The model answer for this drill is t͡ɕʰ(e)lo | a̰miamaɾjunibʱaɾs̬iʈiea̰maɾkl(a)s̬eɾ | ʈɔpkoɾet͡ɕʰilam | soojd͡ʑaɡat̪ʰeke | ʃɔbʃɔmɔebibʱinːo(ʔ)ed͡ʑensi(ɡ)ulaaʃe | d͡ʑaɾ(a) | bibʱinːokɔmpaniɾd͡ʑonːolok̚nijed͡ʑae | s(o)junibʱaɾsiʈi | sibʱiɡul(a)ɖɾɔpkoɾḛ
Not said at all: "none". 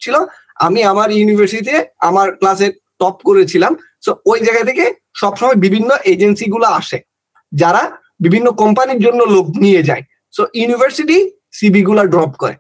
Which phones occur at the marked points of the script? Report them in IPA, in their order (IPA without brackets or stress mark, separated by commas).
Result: i, a, ʔ, ɡ, a, o, a